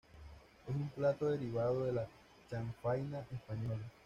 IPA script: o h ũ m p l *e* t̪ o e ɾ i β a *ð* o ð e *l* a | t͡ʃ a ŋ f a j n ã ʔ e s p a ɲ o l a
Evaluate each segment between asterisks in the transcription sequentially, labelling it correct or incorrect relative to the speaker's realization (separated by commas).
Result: incorrect, correct, correct